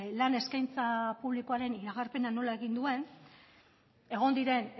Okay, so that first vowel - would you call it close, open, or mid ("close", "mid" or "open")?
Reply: open